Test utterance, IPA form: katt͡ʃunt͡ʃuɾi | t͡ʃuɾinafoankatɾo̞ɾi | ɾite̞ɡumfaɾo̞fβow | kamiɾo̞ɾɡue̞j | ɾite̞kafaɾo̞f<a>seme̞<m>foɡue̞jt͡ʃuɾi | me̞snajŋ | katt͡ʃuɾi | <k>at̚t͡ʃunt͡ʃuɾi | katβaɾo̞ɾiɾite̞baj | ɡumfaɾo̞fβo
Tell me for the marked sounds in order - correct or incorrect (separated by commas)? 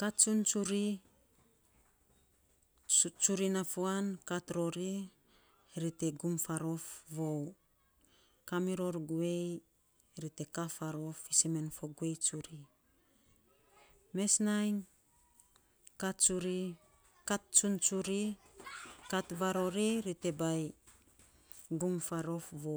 incorrect, incorrect, correct